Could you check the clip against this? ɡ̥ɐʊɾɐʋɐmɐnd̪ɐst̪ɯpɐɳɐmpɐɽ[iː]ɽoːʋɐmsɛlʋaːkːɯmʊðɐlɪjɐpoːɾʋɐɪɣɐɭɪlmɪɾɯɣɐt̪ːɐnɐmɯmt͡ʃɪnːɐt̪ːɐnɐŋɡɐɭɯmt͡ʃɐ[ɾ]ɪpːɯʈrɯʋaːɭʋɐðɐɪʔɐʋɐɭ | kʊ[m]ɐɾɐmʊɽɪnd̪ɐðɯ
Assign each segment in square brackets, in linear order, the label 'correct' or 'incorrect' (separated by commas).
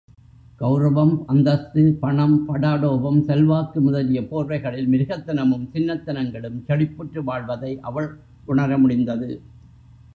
incorrect, incorrect, incorrect